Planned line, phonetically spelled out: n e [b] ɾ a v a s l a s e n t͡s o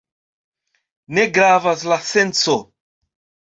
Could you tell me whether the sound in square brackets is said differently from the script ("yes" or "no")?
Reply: yes